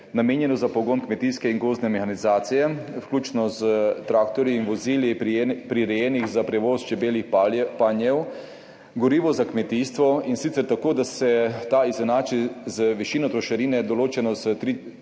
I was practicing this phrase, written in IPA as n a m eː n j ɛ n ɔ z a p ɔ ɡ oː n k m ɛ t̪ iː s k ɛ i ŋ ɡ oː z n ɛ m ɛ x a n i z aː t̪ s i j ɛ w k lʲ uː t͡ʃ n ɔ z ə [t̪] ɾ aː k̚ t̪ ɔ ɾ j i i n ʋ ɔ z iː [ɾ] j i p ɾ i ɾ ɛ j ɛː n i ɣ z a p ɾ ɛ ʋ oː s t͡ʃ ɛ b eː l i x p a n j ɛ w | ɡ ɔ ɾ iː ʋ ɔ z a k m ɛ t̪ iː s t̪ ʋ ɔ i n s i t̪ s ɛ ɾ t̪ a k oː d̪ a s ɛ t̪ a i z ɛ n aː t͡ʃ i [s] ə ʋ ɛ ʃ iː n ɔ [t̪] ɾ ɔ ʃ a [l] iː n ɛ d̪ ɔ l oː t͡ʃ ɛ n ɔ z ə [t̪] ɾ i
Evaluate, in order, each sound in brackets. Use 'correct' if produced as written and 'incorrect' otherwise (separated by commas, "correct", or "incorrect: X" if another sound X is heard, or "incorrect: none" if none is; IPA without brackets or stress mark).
correct, incorrect: l, incorrect: z, correct, incorrect: ɾ, correct